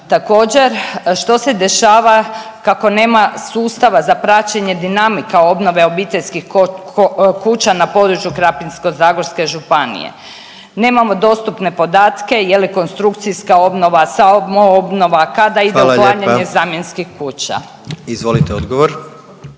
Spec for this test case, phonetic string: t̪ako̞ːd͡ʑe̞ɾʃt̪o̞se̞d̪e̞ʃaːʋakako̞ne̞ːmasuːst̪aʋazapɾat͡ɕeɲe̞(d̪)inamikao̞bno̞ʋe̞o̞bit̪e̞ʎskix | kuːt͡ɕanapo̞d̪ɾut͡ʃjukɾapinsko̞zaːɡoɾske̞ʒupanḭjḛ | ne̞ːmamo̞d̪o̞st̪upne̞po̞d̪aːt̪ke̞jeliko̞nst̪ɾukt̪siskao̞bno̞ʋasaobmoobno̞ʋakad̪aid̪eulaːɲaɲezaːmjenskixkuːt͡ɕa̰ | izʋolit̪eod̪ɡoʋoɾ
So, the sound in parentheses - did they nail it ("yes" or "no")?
yes